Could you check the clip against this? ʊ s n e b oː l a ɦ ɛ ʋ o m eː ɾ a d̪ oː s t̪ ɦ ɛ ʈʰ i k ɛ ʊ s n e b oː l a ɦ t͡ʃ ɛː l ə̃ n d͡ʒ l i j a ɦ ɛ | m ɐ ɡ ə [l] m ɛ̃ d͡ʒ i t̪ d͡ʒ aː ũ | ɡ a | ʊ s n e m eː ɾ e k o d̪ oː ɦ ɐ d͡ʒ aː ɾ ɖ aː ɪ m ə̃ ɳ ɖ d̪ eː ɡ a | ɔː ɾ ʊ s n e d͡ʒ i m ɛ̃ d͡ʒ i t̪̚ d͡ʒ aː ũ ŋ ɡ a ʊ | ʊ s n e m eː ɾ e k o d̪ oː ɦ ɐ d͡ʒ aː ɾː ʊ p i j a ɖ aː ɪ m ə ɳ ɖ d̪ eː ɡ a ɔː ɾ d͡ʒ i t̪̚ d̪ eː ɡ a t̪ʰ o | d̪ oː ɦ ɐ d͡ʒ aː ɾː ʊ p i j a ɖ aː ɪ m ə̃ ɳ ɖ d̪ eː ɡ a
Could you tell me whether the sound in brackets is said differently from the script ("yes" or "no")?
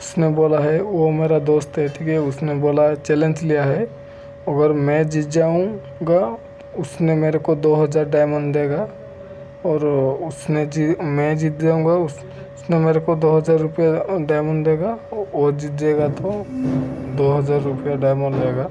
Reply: yes